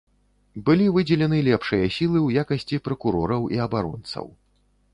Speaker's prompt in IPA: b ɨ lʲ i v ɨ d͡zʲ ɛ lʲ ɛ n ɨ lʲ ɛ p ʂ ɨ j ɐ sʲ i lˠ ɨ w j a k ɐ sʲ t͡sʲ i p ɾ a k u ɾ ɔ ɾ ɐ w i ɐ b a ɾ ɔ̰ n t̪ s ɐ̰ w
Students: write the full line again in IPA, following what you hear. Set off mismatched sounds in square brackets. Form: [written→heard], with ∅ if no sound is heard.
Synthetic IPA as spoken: b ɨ lʲ i v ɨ d͡zʲ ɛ lʲ ɛ n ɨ lʲ ɛ p ʂ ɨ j ɐ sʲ i lˠ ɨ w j a k ɐ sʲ t͡sʲ i p ɾ [a→ɐ] k u ɾ ɔ ɾ ɐ w i ɐ b a ɾ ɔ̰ n t̪ s ɐ̰ w